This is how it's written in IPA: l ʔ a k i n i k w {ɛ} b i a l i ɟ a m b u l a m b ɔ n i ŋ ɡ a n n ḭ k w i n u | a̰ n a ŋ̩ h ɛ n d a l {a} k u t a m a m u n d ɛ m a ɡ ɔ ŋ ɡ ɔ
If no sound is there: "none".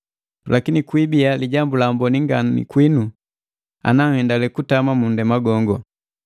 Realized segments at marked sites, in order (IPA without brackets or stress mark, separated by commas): i, ɛ